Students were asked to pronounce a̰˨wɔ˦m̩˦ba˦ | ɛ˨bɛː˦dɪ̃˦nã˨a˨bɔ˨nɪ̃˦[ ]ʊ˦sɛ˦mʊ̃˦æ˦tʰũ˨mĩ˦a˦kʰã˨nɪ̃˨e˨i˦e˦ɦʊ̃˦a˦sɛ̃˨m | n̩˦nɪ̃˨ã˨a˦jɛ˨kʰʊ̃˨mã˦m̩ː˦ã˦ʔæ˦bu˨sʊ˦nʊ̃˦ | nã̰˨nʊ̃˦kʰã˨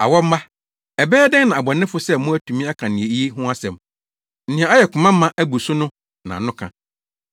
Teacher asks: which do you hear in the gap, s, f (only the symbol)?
f